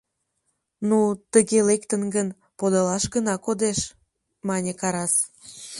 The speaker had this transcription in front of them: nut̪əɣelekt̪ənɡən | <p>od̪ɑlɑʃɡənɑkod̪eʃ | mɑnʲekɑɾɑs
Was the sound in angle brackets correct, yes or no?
yes